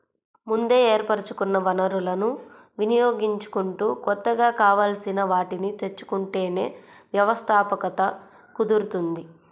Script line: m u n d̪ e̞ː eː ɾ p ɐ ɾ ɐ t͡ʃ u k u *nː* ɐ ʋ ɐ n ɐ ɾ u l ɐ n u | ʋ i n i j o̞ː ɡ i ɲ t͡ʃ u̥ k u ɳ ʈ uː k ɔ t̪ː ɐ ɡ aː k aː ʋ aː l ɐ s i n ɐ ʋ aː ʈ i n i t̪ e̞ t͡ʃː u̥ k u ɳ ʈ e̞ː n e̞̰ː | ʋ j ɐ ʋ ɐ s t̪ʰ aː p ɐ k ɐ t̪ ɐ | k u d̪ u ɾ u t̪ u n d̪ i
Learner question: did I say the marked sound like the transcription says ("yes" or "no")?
yes